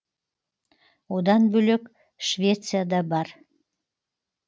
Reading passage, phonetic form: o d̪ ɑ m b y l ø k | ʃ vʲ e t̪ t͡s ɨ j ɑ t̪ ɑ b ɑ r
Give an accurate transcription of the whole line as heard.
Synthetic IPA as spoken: o d̪ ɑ n b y l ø k | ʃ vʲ e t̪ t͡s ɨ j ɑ d̪ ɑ b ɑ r